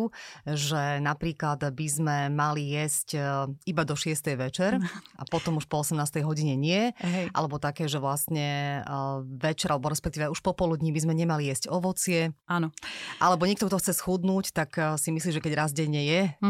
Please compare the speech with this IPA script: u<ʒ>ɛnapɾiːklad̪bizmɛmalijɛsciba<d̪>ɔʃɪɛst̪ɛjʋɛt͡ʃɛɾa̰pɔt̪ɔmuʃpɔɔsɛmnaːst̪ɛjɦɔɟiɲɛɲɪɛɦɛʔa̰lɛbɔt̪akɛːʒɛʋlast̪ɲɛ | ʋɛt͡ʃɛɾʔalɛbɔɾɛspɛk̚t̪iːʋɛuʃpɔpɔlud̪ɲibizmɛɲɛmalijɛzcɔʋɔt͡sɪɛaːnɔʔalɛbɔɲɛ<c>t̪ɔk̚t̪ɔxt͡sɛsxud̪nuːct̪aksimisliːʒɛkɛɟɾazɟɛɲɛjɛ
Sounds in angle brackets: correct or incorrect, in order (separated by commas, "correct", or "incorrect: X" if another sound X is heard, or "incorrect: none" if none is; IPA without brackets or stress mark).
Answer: correct, correct, incorrect: k